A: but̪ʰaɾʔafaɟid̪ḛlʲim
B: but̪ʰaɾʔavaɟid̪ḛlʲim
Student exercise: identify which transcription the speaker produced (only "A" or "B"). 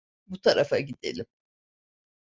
A